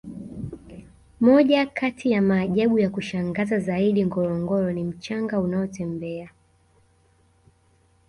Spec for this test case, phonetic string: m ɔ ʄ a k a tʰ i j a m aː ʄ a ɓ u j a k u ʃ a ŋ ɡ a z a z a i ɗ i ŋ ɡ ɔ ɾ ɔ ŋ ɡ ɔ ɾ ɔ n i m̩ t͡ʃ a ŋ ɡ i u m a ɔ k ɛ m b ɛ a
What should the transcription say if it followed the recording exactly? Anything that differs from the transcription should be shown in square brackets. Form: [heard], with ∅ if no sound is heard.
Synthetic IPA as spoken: m ɔ ʄ a k a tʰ i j a m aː ʄ a ɓ u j a k u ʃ a ŋ ɡ a z a z a i ɗ i ŋ ɡ ɔ ɾ ɔ ŋ ɡ ɔ ɾ ɔ n i m̩ t͡ʃ a ŋ ɡ [a] u [n] a ɔ [t] ɛ m b ɛ a